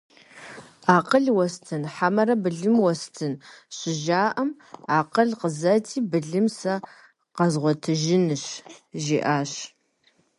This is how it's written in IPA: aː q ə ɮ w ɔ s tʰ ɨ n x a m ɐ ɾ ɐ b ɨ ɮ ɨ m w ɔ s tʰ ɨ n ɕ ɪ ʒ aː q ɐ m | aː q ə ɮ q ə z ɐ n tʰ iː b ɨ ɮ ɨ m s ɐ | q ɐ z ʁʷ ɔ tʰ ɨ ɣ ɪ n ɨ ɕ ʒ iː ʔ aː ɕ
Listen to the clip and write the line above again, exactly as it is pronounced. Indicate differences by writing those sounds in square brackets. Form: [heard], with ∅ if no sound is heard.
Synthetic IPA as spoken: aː q ə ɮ w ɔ s tʰ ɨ n [ħ] a m ɐ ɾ ɐ b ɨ ɮ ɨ m w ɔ s tʰ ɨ n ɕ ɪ ʒ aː [ʔ] ɐ m | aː q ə ɮ q ə z ɐ [∅] tʰ iː b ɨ ɮ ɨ m s ɐ | q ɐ z ʁʷ ɔ tʰ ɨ [ʒ] ɪ n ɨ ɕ ʒ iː ʔ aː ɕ